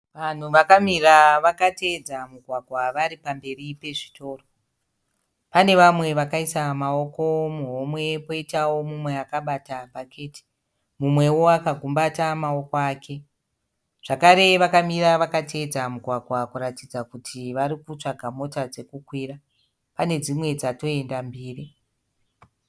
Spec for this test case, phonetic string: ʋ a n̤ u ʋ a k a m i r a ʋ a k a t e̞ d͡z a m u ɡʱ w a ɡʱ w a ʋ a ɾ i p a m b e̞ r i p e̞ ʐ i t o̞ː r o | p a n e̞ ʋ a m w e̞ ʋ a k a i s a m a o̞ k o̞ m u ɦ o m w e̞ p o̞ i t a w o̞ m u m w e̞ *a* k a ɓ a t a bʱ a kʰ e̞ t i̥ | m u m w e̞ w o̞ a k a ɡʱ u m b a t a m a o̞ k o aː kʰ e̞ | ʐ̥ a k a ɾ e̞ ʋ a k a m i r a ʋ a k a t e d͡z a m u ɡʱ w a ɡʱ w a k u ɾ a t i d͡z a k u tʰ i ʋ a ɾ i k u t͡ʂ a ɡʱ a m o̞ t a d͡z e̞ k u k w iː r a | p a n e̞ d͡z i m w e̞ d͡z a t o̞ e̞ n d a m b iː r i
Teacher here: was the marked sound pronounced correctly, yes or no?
yes